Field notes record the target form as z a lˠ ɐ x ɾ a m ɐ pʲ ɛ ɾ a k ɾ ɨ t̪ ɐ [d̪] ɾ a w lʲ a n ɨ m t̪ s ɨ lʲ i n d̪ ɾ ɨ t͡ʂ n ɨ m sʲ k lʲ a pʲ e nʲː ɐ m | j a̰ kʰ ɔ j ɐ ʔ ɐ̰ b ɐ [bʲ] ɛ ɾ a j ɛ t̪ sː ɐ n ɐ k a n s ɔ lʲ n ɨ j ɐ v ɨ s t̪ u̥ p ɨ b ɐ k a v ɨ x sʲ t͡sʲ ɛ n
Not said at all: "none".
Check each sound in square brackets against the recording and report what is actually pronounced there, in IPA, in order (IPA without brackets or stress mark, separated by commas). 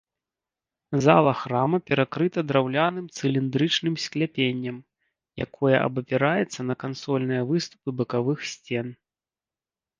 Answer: d̪, pʲ